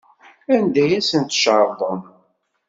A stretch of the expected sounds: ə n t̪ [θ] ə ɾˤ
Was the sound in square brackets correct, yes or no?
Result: no